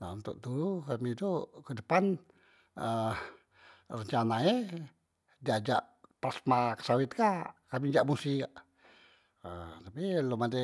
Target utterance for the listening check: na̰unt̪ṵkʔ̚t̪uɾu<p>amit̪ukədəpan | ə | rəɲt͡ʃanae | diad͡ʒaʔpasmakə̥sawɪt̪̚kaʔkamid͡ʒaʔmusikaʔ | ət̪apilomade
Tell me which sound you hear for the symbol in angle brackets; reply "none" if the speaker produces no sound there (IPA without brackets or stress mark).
k